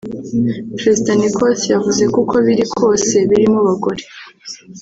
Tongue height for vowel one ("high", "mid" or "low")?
mid